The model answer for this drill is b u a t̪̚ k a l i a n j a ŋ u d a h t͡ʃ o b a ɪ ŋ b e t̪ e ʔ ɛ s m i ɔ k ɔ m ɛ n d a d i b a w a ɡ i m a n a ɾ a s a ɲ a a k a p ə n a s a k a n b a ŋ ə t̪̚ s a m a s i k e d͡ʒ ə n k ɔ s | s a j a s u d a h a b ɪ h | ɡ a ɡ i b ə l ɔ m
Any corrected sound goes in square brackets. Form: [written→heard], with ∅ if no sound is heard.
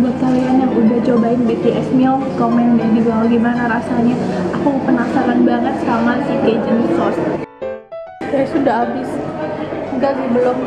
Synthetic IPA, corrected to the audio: b u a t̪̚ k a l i a n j a ŋ u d a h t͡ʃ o b a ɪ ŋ b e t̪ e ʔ ɛ s m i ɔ k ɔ m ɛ n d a d i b a w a ɡ i m a n a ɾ a s a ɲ a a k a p ə n a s a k a n b a ŋ ə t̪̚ s a m a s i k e d͡ʒ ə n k ɔ s | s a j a s u d a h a b ɪ [h→s] | ɡ a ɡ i b ə l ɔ m